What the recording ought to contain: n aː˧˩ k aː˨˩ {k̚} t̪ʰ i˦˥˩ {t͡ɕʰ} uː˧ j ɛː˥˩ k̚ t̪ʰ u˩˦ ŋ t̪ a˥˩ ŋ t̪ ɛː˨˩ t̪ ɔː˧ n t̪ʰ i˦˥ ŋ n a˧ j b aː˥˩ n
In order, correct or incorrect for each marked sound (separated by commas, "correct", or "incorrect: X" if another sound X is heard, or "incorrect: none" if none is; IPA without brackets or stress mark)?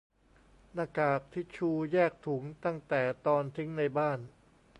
correct, correct